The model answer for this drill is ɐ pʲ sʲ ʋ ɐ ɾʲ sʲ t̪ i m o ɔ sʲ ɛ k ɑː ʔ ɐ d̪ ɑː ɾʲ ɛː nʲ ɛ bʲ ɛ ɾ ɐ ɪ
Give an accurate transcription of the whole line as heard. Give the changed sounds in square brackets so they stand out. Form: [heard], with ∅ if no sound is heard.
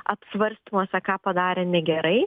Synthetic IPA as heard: ɐ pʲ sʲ ʋ ɐ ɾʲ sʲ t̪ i m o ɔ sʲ ɛ k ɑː [p] ɐ d̪ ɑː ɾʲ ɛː nʲ ɛ [ɡʲ] ɛ ɾ ɐ ɪ